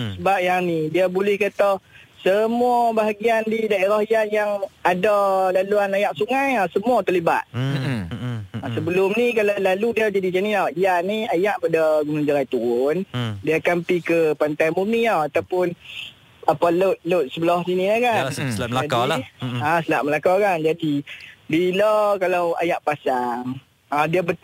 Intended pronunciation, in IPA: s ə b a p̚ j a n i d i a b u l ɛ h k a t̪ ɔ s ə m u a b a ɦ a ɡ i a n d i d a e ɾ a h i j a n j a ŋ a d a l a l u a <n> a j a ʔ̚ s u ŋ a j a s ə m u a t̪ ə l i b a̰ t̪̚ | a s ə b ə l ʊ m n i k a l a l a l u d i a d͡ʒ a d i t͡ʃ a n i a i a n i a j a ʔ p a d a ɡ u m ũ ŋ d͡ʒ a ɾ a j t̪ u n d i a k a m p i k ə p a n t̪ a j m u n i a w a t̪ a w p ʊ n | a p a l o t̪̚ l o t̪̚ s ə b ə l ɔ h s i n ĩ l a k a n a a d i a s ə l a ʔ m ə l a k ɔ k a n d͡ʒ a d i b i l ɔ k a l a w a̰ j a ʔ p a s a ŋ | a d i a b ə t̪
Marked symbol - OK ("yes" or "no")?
yes